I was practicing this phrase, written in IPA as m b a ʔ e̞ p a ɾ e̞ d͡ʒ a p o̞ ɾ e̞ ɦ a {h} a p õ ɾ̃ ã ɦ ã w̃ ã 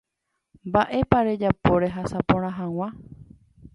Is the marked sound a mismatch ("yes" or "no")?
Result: yes